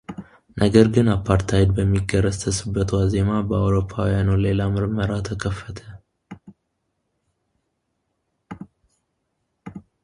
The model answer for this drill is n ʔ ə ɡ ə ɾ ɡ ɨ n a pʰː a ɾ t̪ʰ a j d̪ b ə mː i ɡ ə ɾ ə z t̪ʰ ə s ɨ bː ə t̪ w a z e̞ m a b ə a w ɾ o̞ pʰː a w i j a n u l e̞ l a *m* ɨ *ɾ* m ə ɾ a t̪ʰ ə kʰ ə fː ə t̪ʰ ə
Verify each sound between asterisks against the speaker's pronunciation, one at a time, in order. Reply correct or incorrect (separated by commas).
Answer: correct, correct